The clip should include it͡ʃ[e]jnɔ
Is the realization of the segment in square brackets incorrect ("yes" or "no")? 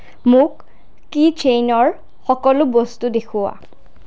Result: no